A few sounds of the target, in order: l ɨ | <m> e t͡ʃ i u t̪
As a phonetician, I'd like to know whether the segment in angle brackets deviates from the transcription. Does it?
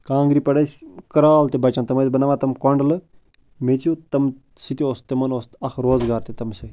no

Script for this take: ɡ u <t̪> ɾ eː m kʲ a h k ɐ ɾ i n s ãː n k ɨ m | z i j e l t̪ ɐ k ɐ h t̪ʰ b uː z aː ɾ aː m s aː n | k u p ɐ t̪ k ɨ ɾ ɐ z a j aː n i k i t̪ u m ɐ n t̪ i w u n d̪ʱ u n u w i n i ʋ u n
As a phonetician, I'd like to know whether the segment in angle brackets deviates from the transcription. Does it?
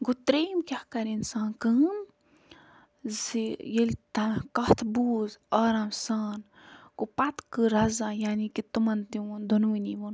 no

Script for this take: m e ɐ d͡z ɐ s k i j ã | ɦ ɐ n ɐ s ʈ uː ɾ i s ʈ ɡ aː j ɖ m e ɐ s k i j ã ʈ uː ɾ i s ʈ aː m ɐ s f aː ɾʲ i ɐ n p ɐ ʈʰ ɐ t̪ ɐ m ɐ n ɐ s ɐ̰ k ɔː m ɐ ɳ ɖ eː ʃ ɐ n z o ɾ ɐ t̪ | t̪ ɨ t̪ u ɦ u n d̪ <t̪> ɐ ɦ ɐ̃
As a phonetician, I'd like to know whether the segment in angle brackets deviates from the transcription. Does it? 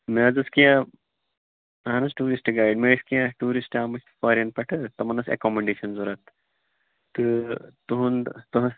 no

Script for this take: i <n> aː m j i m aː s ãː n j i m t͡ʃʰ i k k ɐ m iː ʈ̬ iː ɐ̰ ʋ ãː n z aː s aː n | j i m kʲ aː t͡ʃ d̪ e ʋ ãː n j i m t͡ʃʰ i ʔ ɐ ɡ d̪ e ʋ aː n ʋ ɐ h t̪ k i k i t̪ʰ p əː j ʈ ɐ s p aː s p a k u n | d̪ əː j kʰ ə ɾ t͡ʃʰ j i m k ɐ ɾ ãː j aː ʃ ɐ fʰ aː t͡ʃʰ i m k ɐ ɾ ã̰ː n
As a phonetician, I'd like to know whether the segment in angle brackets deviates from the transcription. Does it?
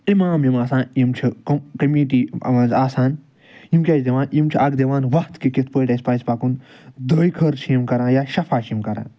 yes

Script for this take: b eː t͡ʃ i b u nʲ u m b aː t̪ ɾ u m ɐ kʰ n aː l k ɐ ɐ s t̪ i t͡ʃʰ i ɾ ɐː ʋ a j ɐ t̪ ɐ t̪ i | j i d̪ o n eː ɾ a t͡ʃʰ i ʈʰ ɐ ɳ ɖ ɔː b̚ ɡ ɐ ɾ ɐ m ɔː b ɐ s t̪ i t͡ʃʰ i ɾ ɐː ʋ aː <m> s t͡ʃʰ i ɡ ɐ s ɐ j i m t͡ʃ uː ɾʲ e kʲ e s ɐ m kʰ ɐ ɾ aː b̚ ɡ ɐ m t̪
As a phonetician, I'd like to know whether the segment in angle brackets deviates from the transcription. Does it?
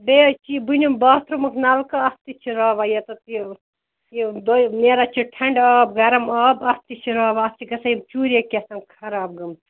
yes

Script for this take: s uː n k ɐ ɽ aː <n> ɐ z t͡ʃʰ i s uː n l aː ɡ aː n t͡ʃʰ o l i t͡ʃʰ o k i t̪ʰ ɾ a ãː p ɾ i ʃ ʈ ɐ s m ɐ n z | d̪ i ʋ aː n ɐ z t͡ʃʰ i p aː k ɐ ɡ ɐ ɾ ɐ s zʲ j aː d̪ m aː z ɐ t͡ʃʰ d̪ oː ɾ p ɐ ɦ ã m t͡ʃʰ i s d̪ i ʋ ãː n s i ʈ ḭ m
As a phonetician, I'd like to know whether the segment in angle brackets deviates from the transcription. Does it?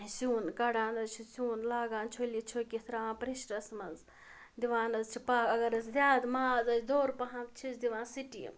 no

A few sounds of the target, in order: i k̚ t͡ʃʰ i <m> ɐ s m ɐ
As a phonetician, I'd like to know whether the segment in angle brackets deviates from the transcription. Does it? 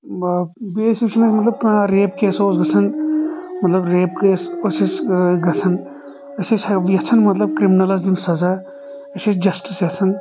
yes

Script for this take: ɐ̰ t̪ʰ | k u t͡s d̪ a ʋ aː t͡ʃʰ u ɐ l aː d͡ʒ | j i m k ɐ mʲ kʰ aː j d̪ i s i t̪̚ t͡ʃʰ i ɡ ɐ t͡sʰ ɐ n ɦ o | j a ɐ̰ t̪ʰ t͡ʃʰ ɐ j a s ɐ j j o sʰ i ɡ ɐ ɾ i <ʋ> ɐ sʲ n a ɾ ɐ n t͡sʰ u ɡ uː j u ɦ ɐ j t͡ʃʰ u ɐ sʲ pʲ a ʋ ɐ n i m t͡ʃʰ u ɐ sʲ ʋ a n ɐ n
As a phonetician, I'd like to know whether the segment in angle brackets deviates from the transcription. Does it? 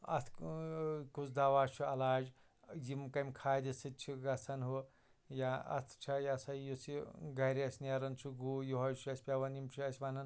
yes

